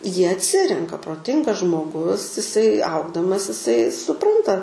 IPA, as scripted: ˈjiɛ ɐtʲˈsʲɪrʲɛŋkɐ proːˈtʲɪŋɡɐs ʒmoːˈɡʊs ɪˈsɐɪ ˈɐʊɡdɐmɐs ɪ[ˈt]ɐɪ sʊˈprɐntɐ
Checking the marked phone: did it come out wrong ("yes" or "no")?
yes